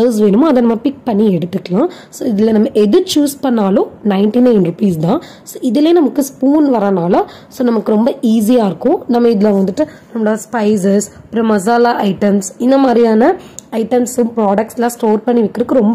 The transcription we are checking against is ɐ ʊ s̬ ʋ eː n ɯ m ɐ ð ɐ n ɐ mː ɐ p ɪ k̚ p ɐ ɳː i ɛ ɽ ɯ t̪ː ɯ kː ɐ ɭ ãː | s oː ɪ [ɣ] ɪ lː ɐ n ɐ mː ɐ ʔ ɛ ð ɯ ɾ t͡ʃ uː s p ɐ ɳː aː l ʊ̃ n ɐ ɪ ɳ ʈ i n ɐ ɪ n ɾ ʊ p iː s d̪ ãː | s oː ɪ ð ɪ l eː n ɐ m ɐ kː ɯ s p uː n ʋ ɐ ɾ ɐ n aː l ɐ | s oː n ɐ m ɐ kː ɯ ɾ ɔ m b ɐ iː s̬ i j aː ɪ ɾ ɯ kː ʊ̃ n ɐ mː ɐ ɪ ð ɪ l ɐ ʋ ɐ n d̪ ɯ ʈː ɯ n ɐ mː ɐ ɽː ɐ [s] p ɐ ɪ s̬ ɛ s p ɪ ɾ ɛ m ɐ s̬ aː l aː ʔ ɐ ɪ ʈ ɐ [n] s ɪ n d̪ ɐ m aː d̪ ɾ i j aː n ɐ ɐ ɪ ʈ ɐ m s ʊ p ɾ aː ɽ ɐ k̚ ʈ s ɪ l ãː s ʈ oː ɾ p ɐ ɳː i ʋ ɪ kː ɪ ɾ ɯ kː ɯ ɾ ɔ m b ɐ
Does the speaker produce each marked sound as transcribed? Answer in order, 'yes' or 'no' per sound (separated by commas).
no, yes, no